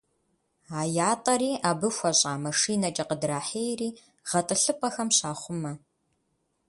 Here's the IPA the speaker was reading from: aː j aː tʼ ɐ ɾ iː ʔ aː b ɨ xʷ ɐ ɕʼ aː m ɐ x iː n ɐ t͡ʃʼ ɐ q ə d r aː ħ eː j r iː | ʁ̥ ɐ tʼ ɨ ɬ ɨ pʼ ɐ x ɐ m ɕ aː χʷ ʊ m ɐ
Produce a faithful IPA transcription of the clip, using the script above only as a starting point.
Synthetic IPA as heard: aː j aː tʼ ɐ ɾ iː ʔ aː b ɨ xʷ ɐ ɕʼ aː m ɐ ʂ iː n ɐ t͡ʃʼ ɐ q ə d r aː ħ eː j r iː | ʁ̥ ɐ tʼ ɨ ɬ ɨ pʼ ɐ x ɐ m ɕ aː χʷ ʊ m ɐ